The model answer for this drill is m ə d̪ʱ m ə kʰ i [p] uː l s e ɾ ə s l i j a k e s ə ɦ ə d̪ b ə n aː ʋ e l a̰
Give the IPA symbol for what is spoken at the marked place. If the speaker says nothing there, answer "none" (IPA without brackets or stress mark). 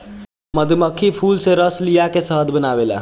pʰ